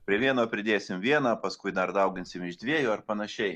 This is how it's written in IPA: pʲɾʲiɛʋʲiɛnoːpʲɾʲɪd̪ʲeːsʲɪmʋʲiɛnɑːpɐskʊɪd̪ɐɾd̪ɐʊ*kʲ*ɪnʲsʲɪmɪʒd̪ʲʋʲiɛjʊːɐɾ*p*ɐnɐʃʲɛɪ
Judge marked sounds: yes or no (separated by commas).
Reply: no, yes